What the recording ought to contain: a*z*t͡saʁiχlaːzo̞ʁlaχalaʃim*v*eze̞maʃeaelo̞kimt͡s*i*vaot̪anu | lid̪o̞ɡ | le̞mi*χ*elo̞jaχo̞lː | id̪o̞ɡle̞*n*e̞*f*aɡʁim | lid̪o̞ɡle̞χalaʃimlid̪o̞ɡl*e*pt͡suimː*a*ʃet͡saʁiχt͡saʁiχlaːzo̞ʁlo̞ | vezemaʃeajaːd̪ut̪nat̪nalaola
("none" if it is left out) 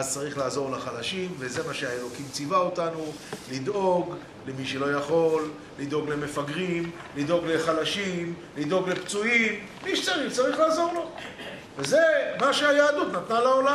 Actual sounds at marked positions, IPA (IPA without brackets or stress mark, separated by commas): z, v, i, ʃ, m, f, e, i